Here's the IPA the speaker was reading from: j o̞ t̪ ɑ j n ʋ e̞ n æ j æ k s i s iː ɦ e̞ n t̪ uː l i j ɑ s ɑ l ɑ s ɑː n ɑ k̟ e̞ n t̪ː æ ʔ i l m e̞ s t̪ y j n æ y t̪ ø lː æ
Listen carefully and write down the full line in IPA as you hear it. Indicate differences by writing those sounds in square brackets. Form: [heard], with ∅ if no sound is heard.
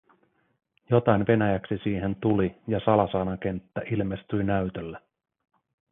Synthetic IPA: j o̞ t̪ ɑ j n ʋ e̞ n æ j æ k s i s iː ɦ e̞ n t̪ [u] l i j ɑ s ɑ l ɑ s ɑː n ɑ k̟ e̞ n t̪ː æ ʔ i l m e̞ s t̪ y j n æ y t̪ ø lː æ

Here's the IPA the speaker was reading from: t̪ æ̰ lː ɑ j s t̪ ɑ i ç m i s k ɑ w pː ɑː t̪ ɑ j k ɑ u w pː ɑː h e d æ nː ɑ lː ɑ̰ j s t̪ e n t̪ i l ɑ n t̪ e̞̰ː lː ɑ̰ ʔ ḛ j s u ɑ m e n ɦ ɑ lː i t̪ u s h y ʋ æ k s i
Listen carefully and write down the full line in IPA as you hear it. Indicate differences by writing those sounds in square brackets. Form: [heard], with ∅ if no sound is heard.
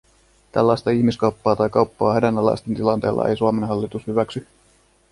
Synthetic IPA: t̪ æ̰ lː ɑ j s t̪ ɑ i ç m i s k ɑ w pː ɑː t̪ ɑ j k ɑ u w pː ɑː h e d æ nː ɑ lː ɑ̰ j s t̪ e n t̪ i l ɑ n t̪ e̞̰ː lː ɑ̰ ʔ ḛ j s u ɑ m e n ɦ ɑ lː i t̪ u s h y ʋ æ k s [y]

